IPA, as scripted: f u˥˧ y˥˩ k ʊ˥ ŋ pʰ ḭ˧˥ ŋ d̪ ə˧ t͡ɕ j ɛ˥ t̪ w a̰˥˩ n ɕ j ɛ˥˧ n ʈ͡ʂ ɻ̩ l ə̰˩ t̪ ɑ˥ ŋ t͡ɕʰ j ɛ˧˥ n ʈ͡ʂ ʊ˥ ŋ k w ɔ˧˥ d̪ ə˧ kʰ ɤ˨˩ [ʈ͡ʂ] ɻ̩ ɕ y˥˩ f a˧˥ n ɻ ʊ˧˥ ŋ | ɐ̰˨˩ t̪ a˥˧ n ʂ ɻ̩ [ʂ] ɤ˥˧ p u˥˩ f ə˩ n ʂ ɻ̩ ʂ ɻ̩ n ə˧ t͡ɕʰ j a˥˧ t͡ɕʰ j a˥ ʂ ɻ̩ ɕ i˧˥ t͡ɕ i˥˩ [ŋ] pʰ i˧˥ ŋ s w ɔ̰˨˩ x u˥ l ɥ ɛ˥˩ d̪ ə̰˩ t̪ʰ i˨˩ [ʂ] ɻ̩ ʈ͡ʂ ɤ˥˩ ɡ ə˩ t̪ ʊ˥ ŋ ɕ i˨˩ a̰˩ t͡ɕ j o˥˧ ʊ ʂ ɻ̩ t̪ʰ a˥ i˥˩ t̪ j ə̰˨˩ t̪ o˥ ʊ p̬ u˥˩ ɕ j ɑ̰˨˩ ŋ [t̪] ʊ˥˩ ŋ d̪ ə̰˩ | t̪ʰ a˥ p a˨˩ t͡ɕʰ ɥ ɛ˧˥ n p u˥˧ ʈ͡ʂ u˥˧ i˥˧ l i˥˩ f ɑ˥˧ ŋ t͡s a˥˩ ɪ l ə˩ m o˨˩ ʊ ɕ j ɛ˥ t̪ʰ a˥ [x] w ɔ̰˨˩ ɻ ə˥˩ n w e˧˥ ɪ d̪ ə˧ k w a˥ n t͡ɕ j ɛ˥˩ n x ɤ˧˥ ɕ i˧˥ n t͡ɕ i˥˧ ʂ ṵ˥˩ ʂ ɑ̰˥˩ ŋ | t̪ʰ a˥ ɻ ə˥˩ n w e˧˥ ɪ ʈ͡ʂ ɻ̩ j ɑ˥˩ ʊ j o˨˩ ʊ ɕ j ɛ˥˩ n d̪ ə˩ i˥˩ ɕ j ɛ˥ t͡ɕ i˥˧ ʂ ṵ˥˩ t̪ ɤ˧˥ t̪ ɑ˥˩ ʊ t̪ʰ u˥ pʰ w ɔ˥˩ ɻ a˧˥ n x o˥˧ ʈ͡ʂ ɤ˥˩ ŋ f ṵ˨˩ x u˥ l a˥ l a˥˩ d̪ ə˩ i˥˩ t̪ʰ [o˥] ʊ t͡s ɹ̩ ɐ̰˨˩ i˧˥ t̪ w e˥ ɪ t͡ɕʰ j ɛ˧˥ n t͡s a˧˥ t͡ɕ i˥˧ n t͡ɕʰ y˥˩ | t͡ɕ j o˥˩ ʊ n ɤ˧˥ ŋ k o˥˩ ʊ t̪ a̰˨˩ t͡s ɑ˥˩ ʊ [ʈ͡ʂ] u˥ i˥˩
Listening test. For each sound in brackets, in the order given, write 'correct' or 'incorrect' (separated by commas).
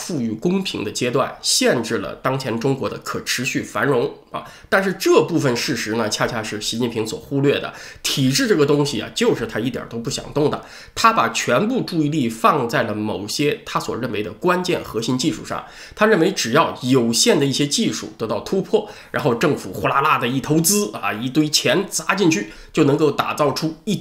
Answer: incorrect, incorrect, incorrect, incorrect, correct, incorrect, incorrect, incorrect